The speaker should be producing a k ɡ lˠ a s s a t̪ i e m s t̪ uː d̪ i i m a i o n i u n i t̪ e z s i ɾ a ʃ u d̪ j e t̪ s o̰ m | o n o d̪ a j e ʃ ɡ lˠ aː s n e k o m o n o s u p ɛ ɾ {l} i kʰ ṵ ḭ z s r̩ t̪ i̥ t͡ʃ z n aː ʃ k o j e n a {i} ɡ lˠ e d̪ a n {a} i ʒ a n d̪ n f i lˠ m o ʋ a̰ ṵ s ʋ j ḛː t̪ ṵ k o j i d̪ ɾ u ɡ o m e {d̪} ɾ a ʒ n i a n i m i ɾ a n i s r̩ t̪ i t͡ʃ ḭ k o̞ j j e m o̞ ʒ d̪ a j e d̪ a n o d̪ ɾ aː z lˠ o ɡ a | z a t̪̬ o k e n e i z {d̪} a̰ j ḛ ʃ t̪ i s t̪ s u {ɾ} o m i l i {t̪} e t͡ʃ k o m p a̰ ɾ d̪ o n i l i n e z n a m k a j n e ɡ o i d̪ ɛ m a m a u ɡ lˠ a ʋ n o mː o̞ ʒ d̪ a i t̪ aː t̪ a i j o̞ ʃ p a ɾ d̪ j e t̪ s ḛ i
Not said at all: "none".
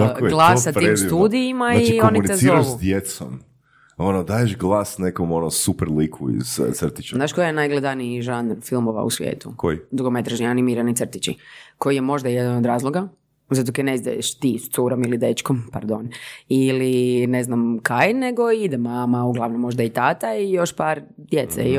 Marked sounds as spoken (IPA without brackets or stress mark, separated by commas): l, j, i, t̪, d̪, ɾ, d̪